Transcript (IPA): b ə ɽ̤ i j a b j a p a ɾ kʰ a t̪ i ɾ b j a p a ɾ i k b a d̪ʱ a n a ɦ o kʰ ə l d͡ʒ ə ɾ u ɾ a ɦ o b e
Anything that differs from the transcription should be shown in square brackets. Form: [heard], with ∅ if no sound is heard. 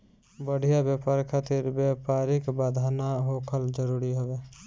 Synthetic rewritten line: b ə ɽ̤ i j a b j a p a ɾ kʰ a t̪ i ɾ b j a p a ɾ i k b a d̪ʱ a n a ɦ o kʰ ə l d͡ʒ ə ɾ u ɾ [i] ɦ o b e